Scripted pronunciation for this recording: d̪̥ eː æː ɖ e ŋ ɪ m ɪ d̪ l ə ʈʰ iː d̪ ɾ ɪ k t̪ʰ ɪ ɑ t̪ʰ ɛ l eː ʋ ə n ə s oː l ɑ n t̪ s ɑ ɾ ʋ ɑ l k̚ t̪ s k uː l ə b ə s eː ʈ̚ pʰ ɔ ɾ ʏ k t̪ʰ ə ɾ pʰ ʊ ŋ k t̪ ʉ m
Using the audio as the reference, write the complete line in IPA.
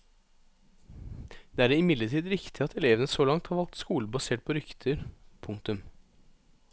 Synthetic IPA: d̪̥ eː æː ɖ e ɪ m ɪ d̪ l ə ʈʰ iː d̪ ɾ ɪ k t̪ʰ ɪ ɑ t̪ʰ ɛ l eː ʋ ə n ə s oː l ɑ ŋ t̪ h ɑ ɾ ʋ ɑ l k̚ t̪ s k uː l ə b ɑ s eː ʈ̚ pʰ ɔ ɾ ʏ k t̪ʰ ə ɾ pʰ ʊ ŋ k t̪ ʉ m